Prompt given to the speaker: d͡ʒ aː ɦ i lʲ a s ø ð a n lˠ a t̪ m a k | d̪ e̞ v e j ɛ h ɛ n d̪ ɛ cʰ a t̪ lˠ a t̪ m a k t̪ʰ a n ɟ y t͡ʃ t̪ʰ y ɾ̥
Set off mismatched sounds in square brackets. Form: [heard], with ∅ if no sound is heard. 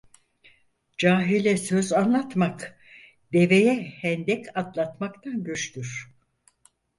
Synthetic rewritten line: d͡ʒ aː ɦ i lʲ [ɛ] s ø [z] a n lˠ a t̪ m a k | d̪ e̞ v e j ɛ h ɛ n d̪ ɛ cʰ a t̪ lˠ a t̪ m a k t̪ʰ a n ɟ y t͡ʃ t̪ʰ y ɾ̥

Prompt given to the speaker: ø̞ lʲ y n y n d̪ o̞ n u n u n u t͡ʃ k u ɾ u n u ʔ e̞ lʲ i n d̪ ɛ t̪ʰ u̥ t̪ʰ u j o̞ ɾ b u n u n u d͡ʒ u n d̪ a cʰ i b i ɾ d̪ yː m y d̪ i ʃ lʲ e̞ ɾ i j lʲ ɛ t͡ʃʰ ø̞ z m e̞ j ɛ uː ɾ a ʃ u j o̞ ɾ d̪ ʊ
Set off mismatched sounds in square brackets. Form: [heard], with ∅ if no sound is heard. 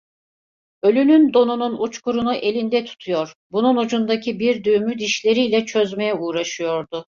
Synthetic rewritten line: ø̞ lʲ y n y n d̪ o̞ n u n u n u t͡ʃ k u ɾ u n u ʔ e̞ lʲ i n d̪ ɛ t̪ʰ u̥ t̪ʰ u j o̞ ɾ b u n u n u d͡ʒ u n d̪ a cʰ i b i ɾ d̪ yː m y d̪ i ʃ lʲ e̞ ɾ i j lʲ ɛ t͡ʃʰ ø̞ z m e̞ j ɛ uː ɾ a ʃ [ɯ] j o̞ ɾ d̪ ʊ

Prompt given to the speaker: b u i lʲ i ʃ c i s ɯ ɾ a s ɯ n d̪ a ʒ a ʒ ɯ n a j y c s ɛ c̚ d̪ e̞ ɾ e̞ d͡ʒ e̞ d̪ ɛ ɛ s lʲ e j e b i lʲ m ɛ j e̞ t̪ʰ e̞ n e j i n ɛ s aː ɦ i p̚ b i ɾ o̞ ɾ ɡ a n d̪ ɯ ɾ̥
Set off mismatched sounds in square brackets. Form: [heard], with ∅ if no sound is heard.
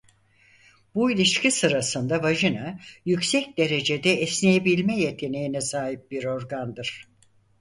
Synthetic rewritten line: b u i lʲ i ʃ c i s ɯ ɾ a s ɯ n d̪ a [v] a ʒ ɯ n a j y c s ɛ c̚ d̪ e̞ ɾ e̞ d͡ʒ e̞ d̪ ɛ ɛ s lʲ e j e b i lʲ m ɛ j e̞ t̪ʰ e̞ n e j i n ɛ s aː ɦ i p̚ b i ɾ o̞ ɾ ɡ a n d̪ ɯ ɾ̥

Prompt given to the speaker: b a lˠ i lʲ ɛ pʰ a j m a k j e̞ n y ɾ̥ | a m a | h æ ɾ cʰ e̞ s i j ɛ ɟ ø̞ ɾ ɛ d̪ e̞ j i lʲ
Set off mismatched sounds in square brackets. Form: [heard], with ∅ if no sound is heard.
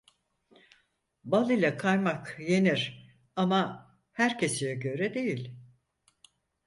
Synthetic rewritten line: b a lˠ i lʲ ɛ [kʰ] a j m a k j e̞ n [i] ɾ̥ | a m a | h æ ɾ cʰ e̞ s i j ɛ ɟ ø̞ ɾ ɛ d̪ e̞ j i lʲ

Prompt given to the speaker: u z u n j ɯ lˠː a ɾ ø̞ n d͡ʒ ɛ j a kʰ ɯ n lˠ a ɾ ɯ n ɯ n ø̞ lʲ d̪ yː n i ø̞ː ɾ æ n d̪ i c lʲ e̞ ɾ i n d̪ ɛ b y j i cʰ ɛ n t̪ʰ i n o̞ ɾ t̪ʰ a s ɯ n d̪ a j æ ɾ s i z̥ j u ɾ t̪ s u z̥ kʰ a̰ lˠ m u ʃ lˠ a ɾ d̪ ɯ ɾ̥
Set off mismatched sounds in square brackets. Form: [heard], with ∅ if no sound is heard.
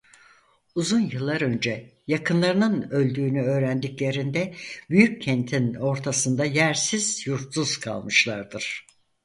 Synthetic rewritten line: u z u n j ɯ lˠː a ɾ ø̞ n d͡ʒ ɛ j a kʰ ɯ n lˠ a ɾ ɯ n ɯ n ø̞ lʲ d̪ yː n [y] ø̞ː ɾ æ n d̪ i c lʲ e̞ ɾ i n d̪ ɛ b y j [y] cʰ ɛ n t̪ʰ i n o̞ ɾ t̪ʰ a s ɯ n d̪ a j æ ɾ s i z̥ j u ɾ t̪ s u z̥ kʰ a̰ lˠ m [ɯ] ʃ lˠ a ɾ d̪ ɯ ɾ̥

